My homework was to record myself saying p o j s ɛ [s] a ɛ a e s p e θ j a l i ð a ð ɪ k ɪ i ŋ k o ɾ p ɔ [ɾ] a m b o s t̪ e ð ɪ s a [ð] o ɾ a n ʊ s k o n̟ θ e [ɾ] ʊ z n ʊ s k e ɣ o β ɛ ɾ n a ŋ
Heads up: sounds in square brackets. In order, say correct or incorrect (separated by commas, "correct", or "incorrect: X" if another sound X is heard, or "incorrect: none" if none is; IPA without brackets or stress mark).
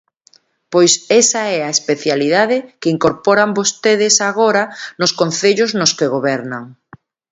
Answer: correct, correct, incorrect: ɣ, incorrect: ʎ